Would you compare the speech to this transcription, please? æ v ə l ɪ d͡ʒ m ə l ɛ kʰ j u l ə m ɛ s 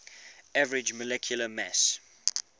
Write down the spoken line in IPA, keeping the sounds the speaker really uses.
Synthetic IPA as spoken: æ v ə ɹ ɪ d͡ʒ m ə l ɛ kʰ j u l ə m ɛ s